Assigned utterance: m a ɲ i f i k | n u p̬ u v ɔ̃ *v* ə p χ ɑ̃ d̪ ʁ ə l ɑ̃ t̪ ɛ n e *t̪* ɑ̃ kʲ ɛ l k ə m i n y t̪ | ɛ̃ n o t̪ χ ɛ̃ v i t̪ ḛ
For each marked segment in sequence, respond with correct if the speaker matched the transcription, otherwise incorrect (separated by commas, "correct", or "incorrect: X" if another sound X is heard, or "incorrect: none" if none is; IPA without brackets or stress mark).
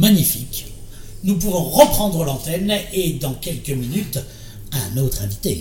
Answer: incorrect: ʁ, incorrect: d̪